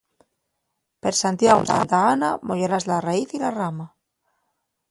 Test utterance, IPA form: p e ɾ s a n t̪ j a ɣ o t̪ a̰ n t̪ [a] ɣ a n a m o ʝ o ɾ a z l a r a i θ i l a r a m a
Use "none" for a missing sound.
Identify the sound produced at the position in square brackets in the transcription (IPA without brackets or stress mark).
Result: a